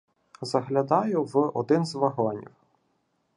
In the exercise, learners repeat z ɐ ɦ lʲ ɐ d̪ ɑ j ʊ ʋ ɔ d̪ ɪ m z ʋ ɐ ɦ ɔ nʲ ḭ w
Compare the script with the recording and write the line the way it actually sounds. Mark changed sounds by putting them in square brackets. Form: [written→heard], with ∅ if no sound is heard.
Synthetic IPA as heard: z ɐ ɦ lʲ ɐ d̪ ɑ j ʊ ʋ ɔ d̪ ɪ [m→n] z ʋ ɐ ɦ ɔ nʲ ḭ w